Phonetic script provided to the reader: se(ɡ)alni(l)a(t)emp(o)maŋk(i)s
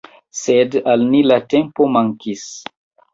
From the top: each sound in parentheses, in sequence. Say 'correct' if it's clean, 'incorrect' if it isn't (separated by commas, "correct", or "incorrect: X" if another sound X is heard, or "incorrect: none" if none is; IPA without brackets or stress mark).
incorrect: d, correct, correct, correct, correct